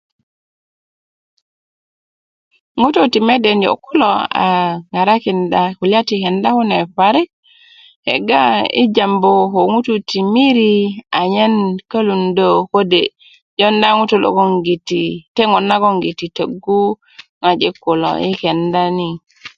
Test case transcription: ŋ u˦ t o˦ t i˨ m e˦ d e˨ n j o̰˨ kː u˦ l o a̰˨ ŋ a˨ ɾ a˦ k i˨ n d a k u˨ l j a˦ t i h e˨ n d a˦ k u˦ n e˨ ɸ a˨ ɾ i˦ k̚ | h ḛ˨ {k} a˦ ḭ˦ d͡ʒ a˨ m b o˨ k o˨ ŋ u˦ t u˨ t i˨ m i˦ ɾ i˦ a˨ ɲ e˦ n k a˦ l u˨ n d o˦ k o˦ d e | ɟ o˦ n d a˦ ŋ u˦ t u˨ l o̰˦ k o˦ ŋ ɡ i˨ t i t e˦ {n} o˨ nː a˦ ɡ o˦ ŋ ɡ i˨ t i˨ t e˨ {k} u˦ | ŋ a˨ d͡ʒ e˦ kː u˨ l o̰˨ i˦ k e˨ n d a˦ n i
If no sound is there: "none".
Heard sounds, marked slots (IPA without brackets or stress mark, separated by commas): ɡ, ŋ, ɡ